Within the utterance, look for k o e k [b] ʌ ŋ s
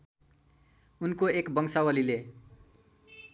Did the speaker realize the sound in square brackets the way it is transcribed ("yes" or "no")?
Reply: yes